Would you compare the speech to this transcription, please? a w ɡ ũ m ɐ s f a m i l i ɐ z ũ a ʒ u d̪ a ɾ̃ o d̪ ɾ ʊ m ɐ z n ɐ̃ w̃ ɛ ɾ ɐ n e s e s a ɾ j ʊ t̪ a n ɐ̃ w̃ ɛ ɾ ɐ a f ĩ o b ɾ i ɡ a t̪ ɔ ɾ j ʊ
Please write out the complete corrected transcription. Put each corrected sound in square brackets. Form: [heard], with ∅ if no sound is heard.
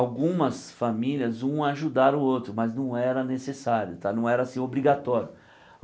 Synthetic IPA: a w ɡ ũ m ɐ s f a m i l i ɐ z ũ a ʒ u d̪ a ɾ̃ o [t̪] ɾ ʊ m ɐ z n ɐ̃ w̃ ɛ ɾ ɐ n e s e s a ɾ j ʊ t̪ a n ɐ̃ w̃ ɛ ɾ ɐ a [s] ĩ o b ɾ i ɡ a t̪ ɔ ɾ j ʊ